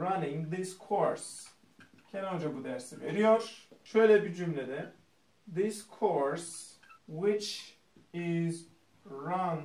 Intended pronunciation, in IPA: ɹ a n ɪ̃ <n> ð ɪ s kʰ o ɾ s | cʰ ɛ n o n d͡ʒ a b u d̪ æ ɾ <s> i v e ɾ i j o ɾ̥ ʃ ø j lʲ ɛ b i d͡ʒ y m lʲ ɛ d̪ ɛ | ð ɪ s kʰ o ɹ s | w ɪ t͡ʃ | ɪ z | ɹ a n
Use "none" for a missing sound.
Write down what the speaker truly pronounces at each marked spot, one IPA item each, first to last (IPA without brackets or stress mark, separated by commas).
ŋ, s